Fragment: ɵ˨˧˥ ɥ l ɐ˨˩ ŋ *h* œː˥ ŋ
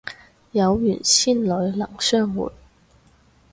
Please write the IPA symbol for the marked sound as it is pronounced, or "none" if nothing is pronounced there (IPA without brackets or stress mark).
s